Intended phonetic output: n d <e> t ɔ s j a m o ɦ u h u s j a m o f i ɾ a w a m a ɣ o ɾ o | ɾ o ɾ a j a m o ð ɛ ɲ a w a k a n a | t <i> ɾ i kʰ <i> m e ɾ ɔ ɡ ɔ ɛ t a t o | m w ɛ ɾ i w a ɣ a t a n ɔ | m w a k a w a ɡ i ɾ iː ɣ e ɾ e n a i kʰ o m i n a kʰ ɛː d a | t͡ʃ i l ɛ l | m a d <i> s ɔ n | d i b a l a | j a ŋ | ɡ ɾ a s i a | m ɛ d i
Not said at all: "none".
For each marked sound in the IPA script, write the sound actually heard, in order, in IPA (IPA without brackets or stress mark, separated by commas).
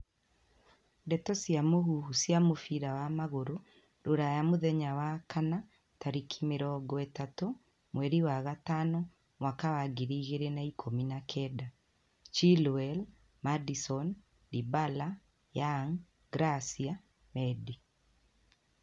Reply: ɛ, a, i, i